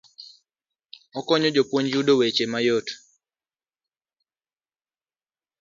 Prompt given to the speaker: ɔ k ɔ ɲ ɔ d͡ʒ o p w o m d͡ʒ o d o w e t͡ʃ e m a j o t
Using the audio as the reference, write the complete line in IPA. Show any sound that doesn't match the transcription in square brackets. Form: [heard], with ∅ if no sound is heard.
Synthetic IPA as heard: ɔ k ɔ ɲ ɔ d͡ʒ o p w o [ɲ] d͡ʒ [u] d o w e t͡ʃ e m a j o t